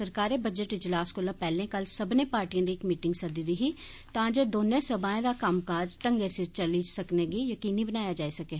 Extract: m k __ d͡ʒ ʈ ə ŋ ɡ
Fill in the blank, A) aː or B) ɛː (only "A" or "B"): A